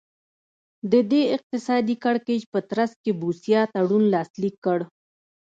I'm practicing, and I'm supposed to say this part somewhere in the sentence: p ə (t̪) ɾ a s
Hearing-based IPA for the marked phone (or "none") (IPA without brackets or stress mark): t̪